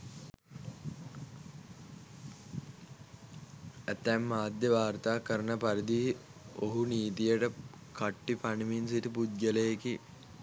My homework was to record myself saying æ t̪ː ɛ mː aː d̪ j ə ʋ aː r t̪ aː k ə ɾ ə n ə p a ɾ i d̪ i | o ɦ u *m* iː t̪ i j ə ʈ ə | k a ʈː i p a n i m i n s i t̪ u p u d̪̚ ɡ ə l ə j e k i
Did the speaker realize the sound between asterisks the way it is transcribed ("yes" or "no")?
no